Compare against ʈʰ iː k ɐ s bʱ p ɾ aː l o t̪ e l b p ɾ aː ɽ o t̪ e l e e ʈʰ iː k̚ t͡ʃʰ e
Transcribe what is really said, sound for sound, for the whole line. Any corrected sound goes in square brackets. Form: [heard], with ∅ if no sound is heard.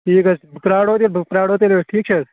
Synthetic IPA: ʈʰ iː k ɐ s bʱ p ɾ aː [ɽ] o t̪ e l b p ɾ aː ɽ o t̪ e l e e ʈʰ iː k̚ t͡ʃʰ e